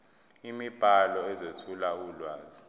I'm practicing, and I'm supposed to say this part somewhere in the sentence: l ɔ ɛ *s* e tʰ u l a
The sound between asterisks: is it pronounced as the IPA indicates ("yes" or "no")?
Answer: no